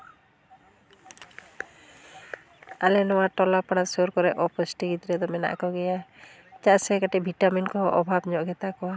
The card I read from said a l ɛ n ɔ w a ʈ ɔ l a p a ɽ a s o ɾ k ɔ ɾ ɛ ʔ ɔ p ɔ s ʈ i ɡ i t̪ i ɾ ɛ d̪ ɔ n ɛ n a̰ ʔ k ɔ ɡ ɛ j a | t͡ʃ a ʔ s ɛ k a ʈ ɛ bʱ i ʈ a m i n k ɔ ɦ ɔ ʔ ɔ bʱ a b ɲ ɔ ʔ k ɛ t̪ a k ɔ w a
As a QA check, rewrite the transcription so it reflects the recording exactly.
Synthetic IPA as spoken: a l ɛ n ɔ w a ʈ ɔ l a p a ɽ a s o ɾ k ɔ ɾ ɛ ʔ ɔ p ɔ s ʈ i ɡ i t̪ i ɾ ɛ d̪ ɔ m ɛ n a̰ ʔ k ɔ ɡ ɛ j a | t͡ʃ a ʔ s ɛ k a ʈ ɛ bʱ i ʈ a m i n k ɔ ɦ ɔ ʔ ɔ bʱ a b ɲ ɔ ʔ ɡ ɛ t̪ a k ɔ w a